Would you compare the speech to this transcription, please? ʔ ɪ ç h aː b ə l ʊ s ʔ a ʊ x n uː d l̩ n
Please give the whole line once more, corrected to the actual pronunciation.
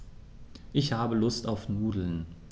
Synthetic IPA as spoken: ʔ ɪ ç h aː b ə l ʊ s t a ʊ f n uː d l̩ n